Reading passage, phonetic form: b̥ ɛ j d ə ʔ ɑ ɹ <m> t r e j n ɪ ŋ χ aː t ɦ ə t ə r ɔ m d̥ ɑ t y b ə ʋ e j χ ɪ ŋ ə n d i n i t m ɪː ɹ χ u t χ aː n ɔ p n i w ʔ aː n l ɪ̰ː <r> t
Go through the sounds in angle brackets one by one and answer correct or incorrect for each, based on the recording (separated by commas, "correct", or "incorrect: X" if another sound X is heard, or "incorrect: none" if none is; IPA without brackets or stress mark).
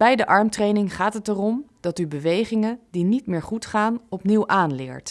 correct, incorrect: ɹ